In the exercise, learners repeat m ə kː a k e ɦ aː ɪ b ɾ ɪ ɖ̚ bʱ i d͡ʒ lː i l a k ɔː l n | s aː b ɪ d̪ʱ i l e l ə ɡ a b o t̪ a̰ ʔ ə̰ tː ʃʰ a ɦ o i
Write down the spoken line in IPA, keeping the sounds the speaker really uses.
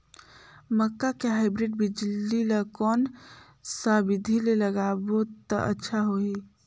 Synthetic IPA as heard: m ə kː a k e ɦ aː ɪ b ɾ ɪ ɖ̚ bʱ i d͡ʒ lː i l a k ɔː n | s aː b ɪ d̪ʱ i l e l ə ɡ a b o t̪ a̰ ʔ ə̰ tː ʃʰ a ɦ o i

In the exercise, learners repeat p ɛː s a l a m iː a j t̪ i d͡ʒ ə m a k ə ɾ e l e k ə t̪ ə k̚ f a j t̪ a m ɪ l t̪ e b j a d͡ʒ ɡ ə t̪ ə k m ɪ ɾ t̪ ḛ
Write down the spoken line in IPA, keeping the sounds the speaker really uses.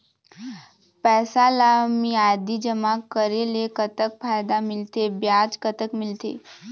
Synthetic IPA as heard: p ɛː s a l a m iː a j d̪ i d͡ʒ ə m a k ə ɾ e l e k ə t̪ ə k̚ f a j d̪ a m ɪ l t̪ e b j a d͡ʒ k ə t̪ ə k m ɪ l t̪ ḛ

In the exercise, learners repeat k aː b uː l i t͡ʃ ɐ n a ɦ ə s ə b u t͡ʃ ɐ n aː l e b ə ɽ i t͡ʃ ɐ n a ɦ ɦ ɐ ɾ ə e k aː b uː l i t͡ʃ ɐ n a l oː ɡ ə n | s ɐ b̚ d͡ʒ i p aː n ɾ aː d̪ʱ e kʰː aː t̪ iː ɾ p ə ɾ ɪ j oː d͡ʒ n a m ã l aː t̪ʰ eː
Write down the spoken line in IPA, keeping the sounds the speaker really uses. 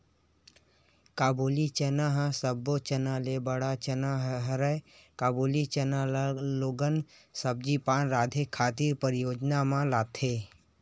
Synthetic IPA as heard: k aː b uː l i t͡ʃ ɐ n a ɦ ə s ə b o t͡ʃ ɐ n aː l e b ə ɽ a t͡ʃ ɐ n a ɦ ɦ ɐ ɾ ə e k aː b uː l i t͡ʃ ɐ n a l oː ɡ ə n | s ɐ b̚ d͡ʒ i p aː n ɾ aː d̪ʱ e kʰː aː t̪ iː ɾ p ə ɾ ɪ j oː d͡ʒ n a m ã l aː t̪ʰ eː

